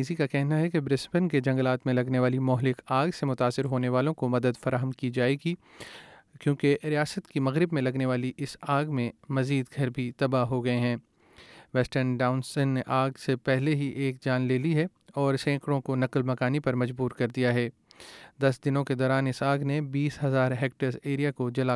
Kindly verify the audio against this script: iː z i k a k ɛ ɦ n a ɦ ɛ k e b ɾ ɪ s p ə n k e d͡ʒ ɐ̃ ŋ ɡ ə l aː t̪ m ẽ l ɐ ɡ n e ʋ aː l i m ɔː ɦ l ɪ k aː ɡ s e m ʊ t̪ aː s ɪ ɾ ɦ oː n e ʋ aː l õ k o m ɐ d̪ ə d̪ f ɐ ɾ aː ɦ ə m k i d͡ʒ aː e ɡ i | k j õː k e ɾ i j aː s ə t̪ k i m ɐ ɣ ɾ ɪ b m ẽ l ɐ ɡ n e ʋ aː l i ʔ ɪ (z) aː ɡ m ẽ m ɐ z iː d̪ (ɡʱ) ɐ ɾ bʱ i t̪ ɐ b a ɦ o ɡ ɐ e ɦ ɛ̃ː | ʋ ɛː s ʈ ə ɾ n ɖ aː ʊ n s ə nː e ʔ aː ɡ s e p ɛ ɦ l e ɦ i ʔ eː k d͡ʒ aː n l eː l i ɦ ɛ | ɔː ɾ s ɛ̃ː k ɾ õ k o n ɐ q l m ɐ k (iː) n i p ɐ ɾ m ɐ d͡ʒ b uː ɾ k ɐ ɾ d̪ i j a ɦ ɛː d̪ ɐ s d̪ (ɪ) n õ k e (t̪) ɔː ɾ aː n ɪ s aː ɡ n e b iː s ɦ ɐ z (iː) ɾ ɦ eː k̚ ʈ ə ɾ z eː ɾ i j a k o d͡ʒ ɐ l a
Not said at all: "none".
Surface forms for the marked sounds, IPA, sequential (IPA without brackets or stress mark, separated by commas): s, ɡʱ, aː, ɪ, d̪, aː